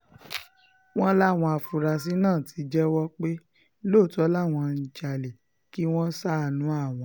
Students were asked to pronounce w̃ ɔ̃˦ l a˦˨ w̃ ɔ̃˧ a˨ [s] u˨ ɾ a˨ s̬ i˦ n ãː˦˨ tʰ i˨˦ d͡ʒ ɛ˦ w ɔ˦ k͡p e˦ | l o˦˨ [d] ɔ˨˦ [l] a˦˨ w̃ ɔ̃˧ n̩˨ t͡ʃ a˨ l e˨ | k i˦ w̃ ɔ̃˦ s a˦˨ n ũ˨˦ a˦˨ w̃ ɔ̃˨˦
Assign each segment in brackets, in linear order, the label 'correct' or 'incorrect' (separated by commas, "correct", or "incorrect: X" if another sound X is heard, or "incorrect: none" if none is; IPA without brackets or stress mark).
incorrect: f, incorrect: t, correct